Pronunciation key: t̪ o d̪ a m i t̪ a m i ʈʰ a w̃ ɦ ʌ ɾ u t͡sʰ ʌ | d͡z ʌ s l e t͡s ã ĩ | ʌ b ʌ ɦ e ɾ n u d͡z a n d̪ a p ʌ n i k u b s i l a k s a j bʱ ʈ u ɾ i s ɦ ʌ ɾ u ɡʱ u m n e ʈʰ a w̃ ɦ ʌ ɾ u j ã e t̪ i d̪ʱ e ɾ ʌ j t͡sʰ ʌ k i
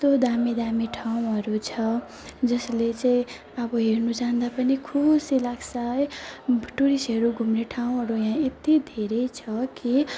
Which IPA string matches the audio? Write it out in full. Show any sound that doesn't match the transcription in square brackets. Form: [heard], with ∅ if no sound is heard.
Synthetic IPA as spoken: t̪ o d̪ a m i [d̪] a m i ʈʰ a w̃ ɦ ʌ ɾ u t͡sʰ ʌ | d͡z ʌ s l e t͡s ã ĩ | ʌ b ʌ ɦ e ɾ n u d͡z a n d̪ a p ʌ n i [kʰ] u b s i l a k s a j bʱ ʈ u ɾ i s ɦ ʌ ɾ u ɡʱ u m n e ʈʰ a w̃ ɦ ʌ ɾ u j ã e t̪ i d̪ʱ e ɾ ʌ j t͡sʰ ʌ k i